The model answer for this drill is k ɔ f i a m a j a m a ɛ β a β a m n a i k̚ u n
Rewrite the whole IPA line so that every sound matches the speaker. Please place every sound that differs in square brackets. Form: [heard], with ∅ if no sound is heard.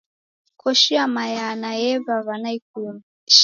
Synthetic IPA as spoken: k ɔ [ʃ] i a m a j a [n] a ɛ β a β a [∅] n a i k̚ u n